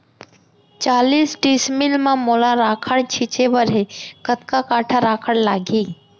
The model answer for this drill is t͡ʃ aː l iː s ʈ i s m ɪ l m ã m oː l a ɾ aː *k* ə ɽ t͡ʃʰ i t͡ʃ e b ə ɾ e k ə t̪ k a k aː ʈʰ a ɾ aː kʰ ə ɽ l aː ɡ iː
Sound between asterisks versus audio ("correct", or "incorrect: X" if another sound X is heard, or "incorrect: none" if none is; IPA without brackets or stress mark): incorrect: kʰ